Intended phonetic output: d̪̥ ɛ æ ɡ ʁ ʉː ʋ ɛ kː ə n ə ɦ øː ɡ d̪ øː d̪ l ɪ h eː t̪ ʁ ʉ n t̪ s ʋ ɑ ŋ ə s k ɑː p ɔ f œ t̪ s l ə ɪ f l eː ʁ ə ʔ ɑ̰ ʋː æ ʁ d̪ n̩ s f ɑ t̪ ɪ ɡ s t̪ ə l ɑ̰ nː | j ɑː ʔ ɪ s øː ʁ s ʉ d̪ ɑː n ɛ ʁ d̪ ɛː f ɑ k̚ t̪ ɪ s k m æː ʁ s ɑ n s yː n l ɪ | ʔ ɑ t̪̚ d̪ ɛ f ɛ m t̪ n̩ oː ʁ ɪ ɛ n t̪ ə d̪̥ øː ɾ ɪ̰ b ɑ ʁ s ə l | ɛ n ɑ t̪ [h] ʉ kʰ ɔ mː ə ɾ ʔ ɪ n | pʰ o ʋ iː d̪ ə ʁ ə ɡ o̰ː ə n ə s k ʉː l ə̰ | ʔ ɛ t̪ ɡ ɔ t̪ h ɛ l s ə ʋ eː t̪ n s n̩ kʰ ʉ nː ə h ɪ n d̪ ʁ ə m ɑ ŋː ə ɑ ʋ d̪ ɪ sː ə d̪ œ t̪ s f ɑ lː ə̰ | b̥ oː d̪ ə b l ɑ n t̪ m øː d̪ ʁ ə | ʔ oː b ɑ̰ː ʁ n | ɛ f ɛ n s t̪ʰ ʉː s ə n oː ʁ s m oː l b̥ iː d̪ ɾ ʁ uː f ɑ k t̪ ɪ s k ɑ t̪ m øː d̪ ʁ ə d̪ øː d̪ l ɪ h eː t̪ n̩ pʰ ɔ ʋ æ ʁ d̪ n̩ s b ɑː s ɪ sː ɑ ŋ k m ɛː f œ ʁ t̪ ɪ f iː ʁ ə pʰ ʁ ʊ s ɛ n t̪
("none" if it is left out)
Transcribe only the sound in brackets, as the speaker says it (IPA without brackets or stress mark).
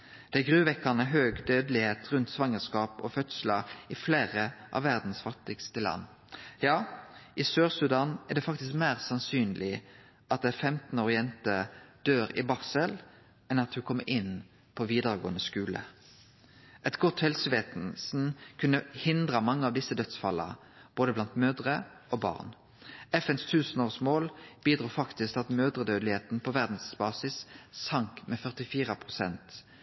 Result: h